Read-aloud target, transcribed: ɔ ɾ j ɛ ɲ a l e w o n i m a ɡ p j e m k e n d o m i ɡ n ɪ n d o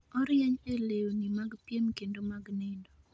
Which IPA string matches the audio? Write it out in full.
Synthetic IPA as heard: ɔ ɾ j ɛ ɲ e l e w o n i m a ɡ p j e m k e n d o m a ɡ n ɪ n d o